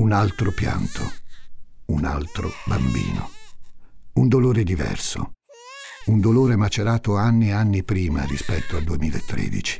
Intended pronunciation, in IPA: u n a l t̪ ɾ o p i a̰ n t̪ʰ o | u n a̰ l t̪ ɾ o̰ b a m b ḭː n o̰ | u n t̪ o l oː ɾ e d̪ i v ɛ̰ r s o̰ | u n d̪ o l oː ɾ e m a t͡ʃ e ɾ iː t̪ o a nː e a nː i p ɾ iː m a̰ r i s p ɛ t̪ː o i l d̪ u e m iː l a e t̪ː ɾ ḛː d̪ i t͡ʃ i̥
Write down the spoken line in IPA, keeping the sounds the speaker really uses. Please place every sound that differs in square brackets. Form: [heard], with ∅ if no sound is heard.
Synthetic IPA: u n a l t̪ ɾ o p [j] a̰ n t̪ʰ o | u n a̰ l t̪ ɾ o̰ b a m b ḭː n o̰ | u n [d̪] o l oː ɾ e d̪ i v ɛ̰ r s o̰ | u n d̪ o l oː ɾ e m a t͡ʃ e ɾ [aː] t̪ o a nː [i] a nː i p ɾ iː m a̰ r i s p ɛ t̪ː o [a] l d̪ u e m iː l a e t̪ː ɾ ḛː d̪ i t͡ʃ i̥